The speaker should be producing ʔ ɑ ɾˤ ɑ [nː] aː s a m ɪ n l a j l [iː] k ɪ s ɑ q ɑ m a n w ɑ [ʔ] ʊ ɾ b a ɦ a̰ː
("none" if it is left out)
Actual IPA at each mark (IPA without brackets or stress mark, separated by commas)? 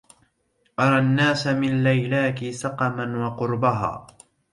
nː, aː, q